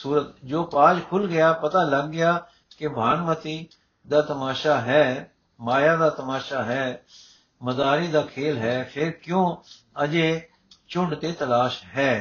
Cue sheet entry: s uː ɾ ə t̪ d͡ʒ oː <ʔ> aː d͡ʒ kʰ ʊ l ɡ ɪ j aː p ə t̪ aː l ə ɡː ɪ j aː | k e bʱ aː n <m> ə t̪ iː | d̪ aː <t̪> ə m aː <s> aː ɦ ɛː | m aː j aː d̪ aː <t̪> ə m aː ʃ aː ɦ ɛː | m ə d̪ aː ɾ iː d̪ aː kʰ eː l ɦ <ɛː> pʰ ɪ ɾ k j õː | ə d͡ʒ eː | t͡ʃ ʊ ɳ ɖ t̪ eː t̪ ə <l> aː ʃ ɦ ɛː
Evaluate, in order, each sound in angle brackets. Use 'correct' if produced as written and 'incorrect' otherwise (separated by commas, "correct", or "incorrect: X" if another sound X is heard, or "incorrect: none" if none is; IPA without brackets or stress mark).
incorrect: p, correct, correct, incorrect: ʃ, correct, correct, correct